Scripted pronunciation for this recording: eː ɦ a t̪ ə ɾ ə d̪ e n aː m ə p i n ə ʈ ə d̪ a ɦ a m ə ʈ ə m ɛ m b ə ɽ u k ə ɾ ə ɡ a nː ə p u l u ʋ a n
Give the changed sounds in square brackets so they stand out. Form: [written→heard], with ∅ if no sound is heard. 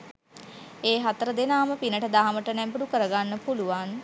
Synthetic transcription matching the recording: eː ɦ a t̪ ə ɾ ə d̪ e n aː m ə p i n ə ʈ ə d̪ a ɦ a m ə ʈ ə [m→n] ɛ m b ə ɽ u k ə ɾ ə ɡ a nː ə p u l u ʋ a n